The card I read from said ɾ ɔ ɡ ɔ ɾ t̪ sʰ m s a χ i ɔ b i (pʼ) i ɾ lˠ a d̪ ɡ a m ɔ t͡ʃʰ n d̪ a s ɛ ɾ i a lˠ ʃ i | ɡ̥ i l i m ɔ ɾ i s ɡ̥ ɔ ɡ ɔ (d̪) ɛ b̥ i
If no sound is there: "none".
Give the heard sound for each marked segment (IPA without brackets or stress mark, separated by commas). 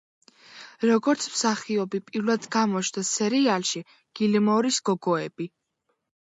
pʼ, none